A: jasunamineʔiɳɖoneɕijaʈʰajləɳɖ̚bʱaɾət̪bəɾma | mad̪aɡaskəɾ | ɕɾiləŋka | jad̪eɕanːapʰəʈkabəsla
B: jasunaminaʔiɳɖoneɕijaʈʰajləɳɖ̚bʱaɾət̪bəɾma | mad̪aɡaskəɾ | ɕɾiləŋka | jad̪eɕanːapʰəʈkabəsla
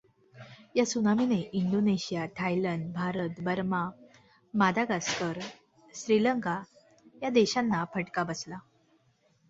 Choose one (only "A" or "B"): A